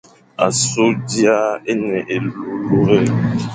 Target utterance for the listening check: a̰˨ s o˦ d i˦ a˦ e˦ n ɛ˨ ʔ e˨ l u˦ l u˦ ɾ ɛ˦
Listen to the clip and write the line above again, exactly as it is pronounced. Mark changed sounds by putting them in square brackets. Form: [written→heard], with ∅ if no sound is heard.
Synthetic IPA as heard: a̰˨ s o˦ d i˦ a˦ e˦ n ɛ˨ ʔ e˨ l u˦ l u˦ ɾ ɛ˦